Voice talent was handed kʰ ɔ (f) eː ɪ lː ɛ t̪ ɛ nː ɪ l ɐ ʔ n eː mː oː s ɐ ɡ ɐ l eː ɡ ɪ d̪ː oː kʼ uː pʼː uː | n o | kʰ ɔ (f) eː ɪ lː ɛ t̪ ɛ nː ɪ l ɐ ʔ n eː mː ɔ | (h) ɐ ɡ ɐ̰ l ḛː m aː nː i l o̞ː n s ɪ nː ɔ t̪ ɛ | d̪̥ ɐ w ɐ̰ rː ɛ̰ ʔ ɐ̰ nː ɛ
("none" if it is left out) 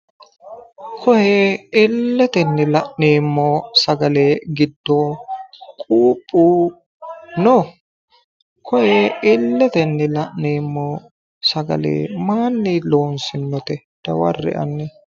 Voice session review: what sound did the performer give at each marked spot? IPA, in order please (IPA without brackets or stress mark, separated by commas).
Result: h, h, s